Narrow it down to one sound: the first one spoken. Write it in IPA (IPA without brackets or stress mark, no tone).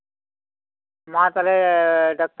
m